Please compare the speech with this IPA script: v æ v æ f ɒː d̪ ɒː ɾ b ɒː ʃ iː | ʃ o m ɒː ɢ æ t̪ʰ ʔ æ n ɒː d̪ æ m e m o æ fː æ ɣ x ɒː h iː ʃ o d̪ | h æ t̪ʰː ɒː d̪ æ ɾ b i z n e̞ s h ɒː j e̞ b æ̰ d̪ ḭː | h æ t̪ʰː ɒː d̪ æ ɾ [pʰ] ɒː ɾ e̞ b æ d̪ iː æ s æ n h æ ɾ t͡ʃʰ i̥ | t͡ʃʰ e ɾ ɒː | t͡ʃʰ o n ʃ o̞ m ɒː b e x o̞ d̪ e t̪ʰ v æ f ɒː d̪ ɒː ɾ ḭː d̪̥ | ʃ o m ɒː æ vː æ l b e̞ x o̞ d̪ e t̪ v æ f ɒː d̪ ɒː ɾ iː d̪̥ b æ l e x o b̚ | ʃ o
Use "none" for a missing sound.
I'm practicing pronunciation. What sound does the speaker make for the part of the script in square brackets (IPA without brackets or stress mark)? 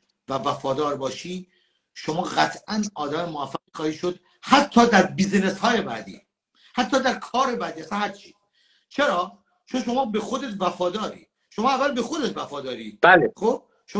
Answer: kʰ